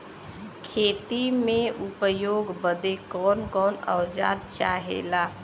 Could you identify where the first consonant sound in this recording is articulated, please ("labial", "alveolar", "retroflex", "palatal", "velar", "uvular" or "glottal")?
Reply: velar